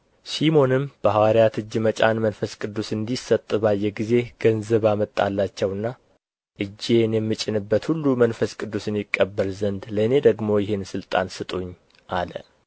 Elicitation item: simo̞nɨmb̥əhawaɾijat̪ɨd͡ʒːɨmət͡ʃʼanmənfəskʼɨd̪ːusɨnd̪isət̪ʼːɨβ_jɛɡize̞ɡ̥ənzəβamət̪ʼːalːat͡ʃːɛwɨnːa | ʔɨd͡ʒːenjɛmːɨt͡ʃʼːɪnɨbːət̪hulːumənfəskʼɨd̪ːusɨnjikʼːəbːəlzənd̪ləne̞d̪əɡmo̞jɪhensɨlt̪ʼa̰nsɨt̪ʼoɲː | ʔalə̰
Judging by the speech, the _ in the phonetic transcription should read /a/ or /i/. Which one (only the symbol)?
a